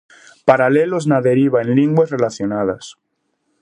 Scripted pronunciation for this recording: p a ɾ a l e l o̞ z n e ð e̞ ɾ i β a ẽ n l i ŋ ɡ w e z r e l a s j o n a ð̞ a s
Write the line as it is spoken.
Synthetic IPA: p a ɾ a l e l o̞ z n a ð e̞ ɾ i β a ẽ n l i ŋ ɡ w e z r e l a θ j o n a ð̞ a s

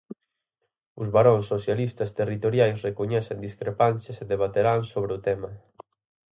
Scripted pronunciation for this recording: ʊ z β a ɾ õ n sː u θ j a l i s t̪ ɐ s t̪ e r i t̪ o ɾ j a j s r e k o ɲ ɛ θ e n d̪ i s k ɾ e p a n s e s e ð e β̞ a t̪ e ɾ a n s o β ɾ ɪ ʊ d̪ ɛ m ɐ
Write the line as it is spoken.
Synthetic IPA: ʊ z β a ɾ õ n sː o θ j a l i s t̪ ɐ s t̪ e r i t̪ o ɾ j a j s r e k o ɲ ɛ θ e n d̪ i s k ɾ e p a n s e s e ð e β̞ a t̪ e ɾ a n s o β ɾ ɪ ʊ t̪ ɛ m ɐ

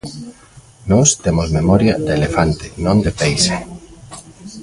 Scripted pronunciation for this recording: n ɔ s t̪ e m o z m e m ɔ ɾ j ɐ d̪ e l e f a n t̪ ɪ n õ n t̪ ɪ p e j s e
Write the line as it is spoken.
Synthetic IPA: n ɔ s t̪ e m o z m e m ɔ ɾ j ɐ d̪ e l e f a n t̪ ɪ n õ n d̪ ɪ p e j s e

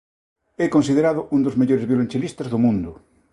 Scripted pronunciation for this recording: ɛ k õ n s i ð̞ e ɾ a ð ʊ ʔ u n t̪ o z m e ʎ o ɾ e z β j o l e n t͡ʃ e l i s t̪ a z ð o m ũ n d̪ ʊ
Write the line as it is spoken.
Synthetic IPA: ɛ k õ n s i ð̞ e ɾ a ð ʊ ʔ u n d̪ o z m e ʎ o ɾ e z β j o l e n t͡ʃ e l i s t̪ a z ð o m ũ n d̪ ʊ

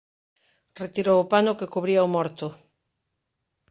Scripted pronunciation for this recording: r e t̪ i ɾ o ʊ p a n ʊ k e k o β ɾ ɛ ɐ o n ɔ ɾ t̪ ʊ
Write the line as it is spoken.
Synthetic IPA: r e t̪ i ɾ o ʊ p a n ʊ k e k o β ɾ i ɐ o m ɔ ɾ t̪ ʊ

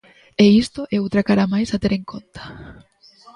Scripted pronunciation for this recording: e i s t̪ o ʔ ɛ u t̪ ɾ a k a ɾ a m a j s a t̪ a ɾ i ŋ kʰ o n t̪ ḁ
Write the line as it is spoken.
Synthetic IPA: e i s t̪ o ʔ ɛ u t̪ ɾ a k a ɾ a m a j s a t̪ e ɾ e ŋ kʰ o n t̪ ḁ

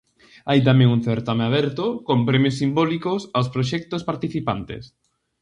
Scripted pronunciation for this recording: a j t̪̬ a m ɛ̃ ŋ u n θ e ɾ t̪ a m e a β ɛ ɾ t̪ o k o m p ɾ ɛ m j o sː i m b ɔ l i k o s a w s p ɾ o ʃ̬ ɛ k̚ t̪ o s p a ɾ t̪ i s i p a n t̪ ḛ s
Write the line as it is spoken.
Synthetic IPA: a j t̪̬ a m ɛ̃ ŋ u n θ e ɾ t̪ a m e a β ɛ ɾ t̪ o k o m p ɾ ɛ m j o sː i m b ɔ l i k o s a w s p ɾ o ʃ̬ ɛ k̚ t̪ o s p a ɾ t̪ i θ i p a n t̪ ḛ s

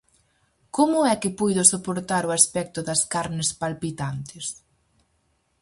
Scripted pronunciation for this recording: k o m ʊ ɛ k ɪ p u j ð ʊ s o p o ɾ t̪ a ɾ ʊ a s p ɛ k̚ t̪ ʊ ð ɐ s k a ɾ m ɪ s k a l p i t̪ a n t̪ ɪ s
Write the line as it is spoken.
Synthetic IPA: k o m ʊ ɛ k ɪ p u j ð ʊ s o p o ɾ t̪ a ɾ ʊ a s p ɛ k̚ t̪ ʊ ð ɐ s k a ɾ n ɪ s p a l p i t̪ a n t̪ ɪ s

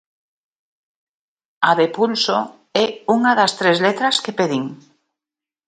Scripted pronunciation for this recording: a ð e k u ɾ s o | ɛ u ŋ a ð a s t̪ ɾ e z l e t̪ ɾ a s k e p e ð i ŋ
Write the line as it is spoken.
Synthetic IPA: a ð e p u l s o | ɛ u ŋ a ð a s t̪ ɾ e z l e t̪ ɾ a s k e p e ð i ŋ

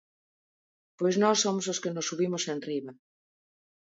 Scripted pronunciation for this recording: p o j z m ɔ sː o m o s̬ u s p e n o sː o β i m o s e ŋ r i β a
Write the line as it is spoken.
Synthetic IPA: p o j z n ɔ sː o m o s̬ o s k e n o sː u β i m o s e n r i β a

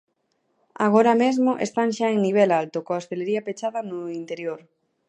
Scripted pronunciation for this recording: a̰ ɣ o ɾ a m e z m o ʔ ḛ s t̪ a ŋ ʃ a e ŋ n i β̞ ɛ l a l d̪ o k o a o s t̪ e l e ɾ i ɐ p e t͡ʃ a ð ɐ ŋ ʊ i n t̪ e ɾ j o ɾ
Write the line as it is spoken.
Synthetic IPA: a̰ ɣ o ɾ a m e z m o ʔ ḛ s t̪ a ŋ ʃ a e ŋ n i β̞ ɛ l a l t̪ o k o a o s t̪ e l e ɾ i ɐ p e t͡ʃ a ð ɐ n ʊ i n t̪ e ɾ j o ɾ

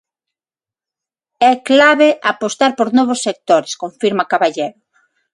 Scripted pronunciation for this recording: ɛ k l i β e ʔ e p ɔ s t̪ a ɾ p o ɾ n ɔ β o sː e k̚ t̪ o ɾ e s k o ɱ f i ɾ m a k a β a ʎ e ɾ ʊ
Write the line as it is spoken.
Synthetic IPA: ɛ k l a β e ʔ a p o s t̪ a ɾ p o ɾ n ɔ β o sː e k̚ t̪ o ɾ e s k o ɱ f i ɾ m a k a β a ʎ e ɾ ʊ

